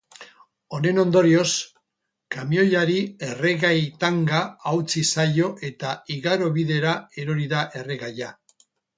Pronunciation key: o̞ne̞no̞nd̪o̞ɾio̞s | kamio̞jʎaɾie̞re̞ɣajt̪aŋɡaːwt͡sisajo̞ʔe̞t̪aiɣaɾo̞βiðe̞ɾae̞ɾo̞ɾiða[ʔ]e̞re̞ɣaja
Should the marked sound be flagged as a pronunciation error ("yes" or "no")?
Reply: no